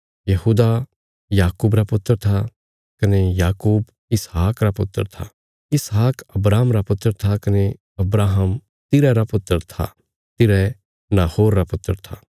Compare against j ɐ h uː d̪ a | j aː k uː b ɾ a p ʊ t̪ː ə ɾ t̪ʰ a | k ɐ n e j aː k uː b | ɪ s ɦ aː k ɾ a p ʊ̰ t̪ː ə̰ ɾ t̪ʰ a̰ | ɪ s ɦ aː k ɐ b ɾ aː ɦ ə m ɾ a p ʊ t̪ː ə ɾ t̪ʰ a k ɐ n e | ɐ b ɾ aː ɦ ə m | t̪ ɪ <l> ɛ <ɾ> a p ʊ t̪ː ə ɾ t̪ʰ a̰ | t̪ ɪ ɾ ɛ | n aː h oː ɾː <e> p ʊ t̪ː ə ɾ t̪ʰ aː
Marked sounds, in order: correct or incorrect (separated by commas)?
incorrect, correct, incorrect